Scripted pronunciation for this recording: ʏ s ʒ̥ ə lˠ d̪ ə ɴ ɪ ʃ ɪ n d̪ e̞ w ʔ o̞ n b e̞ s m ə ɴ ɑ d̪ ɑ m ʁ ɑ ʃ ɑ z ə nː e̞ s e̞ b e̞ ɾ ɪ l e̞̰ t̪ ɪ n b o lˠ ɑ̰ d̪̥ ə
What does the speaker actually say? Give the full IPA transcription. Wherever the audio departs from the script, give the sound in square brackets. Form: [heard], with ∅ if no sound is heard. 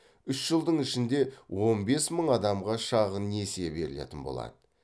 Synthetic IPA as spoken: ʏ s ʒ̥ ə lˠ d̪ ə ɴ ɪ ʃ ɪ n d̪ e̞ w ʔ o̞ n b e̞ s m ə ɴ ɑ d̪ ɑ m ʁ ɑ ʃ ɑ [ʁ] ə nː e̞ s e̞ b e̞ ɾ ɪ l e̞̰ t̪ ɪ n b o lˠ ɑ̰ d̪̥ ə

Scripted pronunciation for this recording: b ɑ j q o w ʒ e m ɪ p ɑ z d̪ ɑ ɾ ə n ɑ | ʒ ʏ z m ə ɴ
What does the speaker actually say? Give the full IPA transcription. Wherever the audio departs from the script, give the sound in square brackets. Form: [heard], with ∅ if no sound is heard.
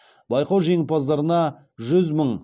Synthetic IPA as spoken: b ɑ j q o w ʒ e [ŋ] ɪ p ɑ z d̪ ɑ ɾ ə n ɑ | ʒ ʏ z m ə ɴ

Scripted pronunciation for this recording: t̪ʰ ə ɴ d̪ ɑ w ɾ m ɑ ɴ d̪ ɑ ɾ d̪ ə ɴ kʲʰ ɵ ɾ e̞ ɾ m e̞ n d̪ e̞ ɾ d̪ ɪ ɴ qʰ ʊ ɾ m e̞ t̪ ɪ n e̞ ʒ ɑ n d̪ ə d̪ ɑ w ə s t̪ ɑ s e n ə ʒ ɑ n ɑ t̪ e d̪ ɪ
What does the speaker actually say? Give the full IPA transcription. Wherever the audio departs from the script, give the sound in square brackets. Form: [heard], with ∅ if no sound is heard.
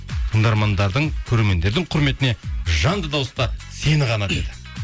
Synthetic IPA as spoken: t̪ʰ ə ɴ d̪ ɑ [∅] ɾ m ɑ [n] d̪ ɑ ɾ d̪ ə ɴ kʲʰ ɵ ɾ e̞ ɾ m e̞ n d̪ e̞ ɾ d̪ ɪ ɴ qʰ ʊ ɾ m e̞ t̪ ɪ n e̞ ʒ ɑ n d̪ ə d̪ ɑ w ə s t̪ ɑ s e n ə [ʁ] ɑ n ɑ t̪ e d̪ ɪ

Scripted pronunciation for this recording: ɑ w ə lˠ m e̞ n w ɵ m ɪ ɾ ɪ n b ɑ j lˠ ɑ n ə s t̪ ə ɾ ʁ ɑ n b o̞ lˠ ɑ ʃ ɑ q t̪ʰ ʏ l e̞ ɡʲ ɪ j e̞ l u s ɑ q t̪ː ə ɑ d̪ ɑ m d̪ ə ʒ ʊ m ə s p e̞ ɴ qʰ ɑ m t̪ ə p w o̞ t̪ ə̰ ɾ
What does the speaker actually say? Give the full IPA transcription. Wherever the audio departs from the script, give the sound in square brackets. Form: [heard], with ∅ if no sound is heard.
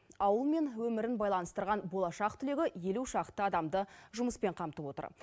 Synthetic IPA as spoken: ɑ w ə lˠ m e̞ n w ɵ m ɪ ɾ ɪ n b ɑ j lˠ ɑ n ə s t̪ ə ɾ ʁ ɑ n b o̞ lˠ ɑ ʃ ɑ q t̪ʰ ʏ l e̞ ɡʲ ɪ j e̞ l u [ʃ] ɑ q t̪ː ə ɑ d̪ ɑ m d̪ ə ʒ ʊ m ə s p e̞ ɴ qʰ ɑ m t̪ ə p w o̞ t̪ ə̰ ɾ

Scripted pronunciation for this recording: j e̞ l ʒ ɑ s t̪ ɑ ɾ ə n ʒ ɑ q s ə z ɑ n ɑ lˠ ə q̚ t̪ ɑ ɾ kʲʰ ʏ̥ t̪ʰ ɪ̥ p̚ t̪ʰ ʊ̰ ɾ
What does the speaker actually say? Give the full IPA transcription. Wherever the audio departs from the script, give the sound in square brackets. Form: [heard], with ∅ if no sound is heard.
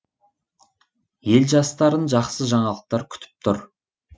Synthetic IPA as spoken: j e̞ l ʒ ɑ s t̪ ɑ ɾ ə n ʒ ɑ q s ə [ʒ] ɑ [ɴ] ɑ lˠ ə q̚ t̪ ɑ ɾ kʲʰ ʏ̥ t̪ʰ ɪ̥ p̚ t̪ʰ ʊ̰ ɾ

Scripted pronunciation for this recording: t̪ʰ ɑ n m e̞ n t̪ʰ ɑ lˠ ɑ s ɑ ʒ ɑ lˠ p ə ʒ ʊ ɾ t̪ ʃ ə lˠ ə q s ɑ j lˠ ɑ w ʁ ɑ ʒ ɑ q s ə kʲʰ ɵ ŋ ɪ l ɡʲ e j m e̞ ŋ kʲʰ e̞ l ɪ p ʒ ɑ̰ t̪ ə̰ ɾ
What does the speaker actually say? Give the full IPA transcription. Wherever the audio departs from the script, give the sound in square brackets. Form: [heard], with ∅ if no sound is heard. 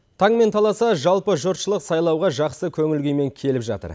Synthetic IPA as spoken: t̪ʰ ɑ [ɴ] m e̞ n t̪ʰ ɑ lˠ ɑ s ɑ ʒ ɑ lˠ p ə ʒ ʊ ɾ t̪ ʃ ə lˠ ə q s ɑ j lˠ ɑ w ʁ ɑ ʒ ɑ q s ə kʲʰ ɵ ŋ ɪ l ɡʲ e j m e̞ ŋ kʲʰ e̞ l ɪ p ʒ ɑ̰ t̪ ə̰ ɾ

